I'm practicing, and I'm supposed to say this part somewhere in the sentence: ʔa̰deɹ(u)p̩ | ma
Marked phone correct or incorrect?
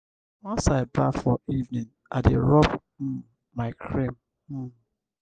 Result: incorrect